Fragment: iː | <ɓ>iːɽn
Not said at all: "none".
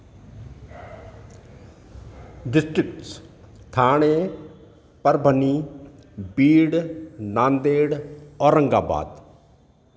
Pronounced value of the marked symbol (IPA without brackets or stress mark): b